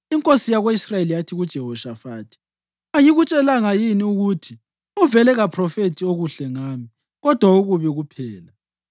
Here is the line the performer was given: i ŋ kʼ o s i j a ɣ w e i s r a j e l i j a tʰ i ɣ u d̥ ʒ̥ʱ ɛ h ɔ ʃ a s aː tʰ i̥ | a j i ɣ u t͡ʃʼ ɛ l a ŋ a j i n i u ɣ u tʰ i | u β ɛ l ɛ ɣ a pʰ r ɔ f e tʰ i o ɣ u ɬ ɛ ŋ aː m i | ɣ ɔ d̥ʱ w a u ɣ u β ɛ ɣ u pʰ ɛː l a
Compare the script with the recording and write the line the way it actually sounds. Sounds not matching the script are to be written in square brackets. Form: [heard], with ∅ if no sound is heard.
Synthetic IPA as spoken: i ŋ kʼ o s i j a ɣ w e i s r a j e l i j a tʰ i ɣ u d̥ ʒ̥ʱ ɛ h ɔ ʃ a [f] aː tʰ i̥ | a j i ɣ u t͡ʃʼ ɛ l a ŋ a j i n i u ɣ u tʰ i | u [v] ɛ l ɛ ɣ a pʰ r ɔ f e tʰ i o ɣ u ɬ ɛ ŋ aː m i | ɣ ɔ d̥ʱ w a u ɣ u β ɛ ɣ u pʰ ɛː l a

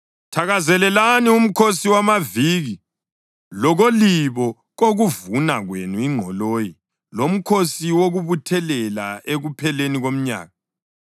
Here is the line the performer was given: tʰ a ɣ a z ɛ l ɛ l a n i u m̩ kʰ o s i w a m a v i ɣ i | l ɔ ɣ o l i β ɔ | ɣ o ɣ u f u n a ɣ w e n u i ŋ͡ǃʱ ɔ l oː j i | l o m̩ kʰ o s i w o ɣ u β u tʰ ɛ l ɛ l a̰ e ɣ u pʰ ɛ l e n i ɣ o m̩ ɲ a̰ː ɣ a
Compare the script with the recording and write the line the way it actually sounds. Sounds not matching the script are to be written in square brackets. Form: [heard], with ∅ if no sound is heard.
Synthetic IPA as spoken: tʰ a ɣ a z ɛ l ɛ l a n i u m̩ kʰ o s i w a m a v i ɣ i | l ɔ ɣ o l i β ɔ | ɣ o ɣ u [v] u n a ɣ w e n u i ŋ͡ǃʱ ɔ l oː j i | l o m̩ kʰ o s i w o ɣ u β u tʰ ɛ l ɛ l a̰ e ɣ u pʰ ɛ l e n i ɣ o m̩ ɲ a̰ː ɣ a

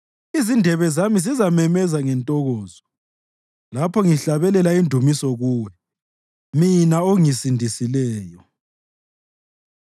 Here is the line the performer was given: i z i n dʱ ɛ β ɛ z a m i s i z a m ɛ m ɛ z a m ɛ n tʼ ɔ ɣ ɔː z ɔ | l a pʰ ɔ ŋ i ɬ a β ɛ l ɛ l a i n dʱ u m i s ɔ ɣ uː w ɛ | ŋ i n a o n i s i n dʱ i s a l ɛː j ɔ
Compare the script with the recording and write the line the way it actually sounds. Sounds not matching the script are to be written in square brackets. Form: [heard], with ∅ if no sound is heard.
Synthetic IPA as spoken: i z i n dʱ ɛ β ɛ z a m i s i z a m ɛ m ɛ z a [ŋ] ɛ n tʼ ɔ ɣ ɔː z ɔ | l a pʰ ɔ ŋ i ɬ a β ɛ l ɛ l a i n dʱ u m i s ɔ ɣ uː w ɛ | [m] i n a o [ŋ] i s i n dʱ i s [i] l ɛː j ɔ

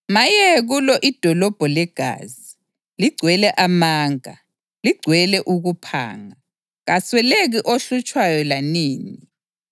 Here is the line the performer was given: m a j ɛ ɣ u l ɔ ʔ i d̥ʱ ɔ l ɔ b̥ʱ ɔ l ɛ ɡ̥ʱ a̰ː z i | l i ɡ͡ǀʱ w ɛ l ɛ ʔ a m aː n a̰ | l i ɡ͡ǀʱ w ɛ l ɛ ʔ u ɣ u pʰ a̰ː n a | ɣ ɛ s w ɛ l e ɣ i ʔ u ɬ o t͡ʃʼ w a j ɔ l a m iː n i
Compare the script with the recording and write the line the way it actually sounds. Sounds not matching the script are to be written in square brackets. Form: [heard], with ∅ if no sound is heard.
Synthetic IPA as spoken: m a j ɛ ɣ u l ɔ ʔ i d̥ʱ ɔ l ɔ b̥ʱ ɔ l ɛ ɡ̥ʱ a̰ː z i | l i ɡ͡ǀʱ w ɛ l ɛ ʔ a m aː [ŋ] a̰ | l i ɡ͡ǀʱ w ɛ l ɛ ʔ u ɣ u pʰ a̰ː [ŋ] a | ɣ [a] s w ɛ l e ɣ i ʔ [o] ɬ [u] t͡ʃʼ w a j ɔ l a [n] iː n i

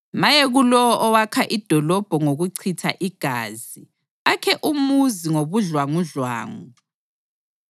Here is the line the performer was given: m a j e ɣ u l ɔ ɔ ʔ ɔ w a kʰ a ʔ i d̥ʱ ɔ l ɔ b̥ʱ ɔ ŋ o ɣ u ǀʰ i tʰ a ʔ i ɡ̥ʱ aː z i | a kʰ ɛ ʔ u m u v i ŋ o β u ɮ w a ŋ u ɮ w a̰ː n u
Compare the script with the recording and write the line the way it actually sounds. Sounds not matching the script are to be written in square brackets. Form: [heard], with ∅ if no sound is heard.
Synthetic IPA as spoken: m a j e ɣ u l ɔ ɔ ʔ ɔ w a kʰ a ʔ i d̥ʱ ɔ l ɔ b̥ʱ ɔ ŋ o ɣ u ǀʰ i tʰ a ʔ i ɡ̥ʱ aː z i | a kʰ ɛ ʔ u m u [z] i ŋ o β u ɮ w a ŋ u ɮ w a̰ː [ŋ] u

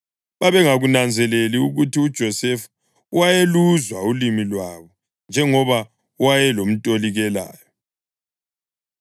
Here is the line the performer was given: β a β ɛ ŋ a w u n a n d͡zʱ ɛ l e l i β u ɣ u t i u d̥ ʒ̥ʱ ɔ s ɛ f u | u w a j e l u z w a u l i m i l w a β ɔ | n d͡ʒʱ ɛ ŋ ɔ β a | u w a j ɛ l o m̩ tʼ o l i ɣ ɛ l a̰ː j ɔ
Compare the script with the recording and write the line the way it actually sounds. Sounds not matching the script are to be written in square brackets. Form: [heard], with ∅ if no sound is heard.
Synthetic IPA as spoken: β a β ɛ ŋ a [ɣ] u n a n d͡zʱ ɛ l e l i [∅] u ɣ u t i u d̥ ʒ̥ʱ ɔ s ɛ f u | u w a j e l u z w a u l i m i l w a β ɔ | n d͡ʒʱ ɛ ŋ ɔ β a | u w a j ɛ l o m̩ tʼ o l i ɣ ɛ l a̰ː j ɔ

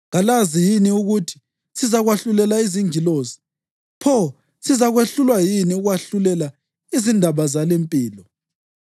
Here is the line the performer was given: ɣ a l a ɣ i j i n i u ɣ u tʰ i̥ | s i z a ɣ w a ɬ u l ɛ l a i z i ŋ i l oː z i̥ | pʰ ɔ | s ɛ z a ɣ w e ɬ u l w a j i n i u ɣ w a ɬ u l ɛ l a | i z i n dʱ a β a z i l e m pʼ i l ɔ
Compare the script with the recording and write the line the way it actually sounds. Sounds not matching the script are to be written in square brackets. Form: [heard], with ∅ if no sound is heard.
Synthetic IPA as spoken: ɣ a l a [z] i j i n i u ɣ u tʰ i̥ | s i z a ɣ w a ɬ u l ɛ l a i z i ŋ i l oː z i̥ | pʰ ɔ | s [i] z a ɣ w e ɬ u l w a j i n i u ɣ w a ɬ u l ɛ l a | i z i n dʱ a β a z [a] l e m pʼ [iː] l ɔ

